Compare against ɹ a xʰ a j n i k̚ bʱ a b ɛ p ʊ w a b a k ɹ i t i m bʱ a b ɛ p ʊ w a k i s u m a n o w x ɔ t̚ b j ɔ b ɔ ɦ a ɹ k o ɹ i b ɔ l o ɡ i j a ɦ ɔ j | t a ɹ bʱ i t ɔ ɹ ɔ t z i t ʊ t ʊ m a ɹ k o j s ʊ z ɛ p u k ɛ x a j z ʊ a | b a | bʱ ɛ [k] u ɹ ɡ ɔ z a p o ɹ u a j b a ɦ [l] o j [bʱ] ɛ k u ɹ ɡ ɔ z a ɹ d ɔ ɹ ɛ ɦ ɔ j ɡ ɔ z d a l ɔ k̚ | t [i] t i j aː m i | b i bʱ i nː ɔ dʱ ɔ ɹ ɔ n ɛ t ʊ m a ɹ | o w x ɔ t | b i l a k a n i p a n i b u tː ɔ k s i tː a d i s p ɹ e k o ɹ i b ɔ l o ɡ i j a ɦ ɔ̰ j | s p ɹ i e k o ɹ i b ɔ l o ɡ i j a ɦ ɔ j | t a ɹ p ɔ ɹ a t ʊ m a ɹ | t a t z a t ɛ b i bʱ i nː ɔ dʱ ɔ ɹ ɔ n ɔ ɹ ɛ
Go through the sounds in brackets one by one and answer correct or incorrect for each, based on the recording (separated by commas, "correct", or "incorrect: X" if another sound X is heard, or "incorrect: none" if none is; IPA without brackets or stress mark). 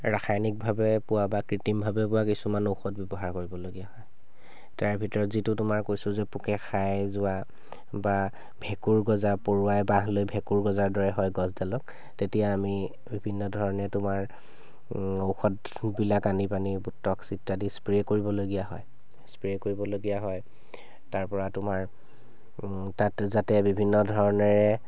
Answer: correct, correct, correct, incorrect: e